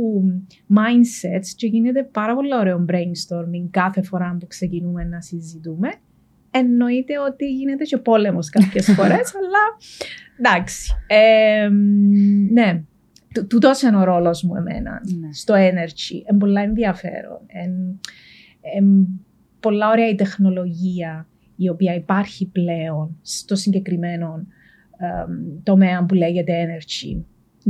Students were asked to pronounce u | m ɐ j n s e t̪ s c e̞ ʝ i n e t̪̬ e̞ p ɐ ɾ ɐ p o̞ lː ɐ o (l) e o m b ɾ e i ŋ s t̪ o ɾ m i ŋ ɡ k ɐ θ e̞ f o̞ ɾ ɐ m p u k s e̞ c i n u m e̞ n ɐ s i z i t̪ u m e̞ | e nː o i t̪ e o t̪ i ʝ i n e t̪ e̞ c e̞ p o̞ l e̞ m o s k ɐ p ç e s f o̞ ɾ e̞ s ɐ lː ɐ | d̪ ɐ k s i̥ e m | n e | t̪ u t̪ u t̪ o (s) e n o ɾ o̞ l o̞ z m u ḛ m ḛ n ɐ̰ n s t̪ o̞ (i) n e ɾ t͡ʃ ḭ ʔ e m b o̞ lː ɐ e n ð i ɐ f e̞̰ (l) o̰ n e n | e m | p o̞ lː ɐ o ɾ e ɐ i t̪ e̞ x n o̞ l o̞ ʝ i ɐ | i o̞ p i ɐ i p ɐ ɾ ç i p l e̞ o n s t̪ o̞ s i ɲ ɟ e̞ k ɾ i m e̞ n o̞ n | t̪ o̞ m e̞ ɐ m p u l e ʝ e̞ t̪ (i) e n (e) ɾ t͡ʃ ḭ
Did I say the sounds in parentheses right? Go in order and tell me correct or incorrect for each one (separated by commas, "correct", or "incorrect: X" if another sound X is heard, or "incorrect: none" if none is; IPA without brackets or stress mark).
incorrect: ɾ, correct, incorrect: e, incorrect: ɾ, incorrect: e, correct